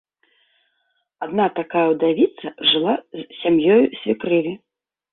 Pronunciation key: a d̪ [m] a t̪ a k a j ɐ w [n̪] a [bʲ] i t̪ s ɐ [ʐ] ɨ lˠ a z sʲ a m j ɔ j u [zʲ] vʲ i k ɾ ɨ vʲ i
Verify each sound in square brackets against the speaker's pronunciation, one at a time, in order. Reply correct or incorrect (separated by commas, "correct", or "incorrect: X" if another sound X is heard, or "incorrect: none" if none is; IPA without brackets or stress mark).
incorrect: n, incorrect: d̪, incorrect: vʲ, correct, incorrect: sʲ